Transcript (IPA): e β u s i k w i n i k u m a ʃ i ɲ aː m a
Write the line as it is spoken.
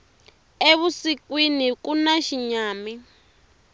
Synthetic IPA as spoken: e β u s i k w i n i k u n a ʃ i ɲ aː m i